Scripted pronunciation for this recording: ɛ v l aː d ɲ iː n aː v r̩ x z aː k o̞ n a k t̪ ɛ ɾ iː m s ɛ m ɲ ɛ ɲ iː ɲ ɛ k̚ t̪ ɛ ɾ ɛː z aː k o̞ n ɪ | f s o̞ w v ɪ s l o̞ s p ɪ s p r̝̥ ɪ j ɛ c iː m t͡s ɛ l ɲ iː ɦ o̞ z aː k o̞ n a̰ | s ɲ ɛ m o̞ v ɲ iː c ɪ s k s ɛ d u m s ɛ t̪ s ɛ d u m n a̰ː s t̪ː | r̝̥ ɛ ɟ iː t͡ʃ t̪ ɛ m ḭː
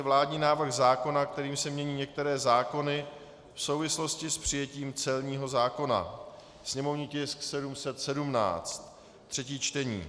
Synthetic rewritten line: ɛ v l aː d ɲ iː n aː v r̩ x z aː k o̞ n a k t̪ ɛ ɾ iː m s ɛ m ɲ ɛ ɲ iː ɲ ɛ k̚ t̪ ɛ ɾ ɛː z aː k o̞ n ɪ | f s o̞ w v ɪ s l o̞ s c ɪ s p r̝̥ ɪ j ɛ c iː m t͡s ɛ l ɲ iː ɦ o̞ z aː k o̞ n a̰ | s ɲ ɛ m o̞ v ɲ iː c ɪ s k s ɛ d u m s ɛ t̪ s ɛ d u m n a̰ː t͡s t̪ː | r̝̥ ɛ c iː t͡ʃ t̪ ɛ ɲ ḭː

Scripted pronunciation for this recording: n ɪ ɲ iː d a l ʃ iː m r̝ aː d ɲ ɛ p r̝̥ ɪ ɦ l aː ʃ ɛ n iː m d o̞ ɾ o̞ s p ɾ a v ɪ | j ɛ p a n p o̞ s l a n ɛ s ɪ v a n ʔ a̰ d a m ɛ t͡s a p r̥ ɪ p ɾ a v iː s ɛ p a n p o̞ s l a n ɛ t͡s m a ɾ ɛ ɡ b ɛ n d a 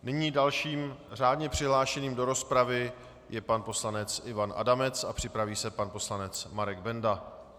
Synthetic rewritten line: n ɪ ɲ iː d a l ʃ iː m r̝ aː d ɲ ɛ p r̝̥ ɪ ɦ l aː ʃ ɛ n iː m d o̞ ɾ o̞ s p ɾ a v ɪ | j ɛ p a n p o̞ s l a n ɛ t͡s ɪ v a n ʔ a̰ d a m ɛ t͡s a p r̥ ɪ p ɾ a v iː s ɛ p a n p o̞ s l a n ɛ t͡s m a ɾ ɛ ɡ b ɛ n d a

